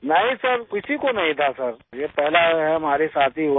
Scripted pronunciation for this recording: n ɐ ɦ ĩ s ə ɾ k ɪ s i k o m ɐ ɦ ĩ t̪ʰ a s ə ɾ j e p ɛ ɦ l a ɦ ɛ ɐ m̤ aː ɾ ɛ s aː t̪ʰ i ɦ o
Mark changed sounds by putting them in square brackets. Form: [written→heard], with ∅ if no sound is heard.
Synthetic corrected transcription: n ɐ ɦ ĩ s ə ɾ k ɪ s i k o [m→n] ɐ ɦ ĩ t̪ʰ a s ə ɾ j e p ɛ ɦ l a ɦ ɛ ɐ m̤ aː ɾ [ɛ→e] s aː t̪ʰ i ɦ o